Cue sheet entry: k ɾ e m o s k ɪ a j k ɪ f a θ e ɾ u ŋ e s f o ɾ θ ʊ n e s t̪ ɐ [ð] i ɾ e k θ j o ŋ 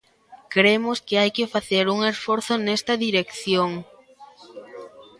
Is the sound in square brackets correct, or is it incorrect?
correct